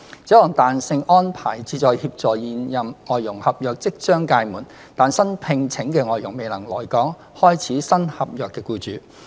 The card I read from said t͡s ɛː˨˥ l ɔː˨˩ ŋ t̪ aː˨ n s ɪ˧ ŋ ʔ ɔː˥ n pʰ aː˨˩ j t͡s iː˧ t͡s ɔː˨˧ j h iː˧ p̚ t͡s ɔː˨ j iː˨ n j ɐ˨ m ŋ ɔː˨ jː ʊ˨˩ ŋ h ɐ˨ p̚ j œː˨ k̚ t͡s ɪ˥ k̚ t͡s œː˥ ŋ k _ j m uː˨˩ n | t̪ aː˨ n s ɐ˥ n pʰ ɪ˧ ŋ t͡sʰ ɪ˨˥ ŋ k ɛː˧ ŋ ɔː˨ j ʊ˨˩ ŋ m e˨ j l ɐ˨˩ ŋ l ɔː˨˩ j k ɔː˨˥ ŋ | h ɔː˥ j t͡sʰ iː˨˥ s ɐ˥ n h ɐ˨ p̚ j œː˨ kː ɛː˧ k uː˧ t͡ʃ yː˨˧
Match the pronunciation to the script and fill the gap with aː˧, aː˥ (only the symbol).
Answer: aː˧